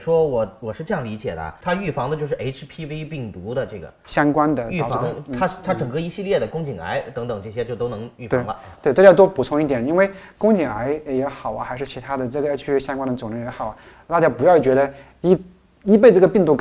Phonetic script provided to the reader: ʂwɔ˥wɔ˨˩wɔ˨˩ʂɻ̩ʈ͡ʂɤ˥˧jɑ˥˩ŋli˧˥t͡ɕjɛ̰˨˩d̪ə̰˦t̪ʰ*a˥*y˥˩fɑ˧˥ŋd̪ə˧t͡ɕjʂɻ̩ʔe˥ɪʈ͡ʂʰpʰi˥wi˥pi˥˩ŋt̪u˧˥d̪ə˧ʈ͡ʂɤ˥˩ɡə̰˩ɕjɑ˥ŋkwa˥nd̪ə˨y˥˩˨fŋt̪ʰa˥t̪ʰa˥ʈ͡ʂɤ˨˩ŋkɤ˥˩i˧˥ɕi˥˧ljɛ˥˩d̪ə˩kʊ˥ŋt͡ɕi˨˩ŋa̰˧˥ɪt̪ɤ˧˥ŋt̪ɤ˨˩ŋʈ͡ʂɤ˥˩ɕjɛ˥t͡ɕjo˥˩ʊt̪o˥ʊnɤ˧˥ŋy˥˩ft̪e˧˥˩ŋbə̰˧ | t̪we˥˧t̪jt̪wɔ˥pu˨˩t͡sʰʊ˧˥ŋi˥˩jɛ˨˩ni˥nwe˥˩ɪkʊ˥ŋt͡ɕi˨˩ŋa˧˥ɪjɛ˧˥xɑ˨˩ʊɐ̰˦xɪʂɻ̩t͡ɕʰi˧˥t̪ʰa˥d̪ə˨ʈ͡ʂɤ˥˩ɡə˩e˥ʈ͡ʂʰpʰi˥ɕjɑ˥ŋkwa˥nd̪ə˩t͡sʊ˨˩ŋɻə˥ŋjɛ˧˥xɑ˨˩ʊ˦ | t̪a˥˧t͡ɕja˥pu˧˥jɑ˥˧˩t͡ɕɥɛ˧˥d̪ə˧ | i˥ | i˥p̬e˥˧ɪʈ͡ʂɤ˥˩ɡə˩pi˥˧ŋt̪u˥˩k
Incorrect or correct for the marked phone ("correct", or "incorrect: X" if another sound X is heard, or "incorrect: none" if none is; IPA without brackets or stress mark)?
correct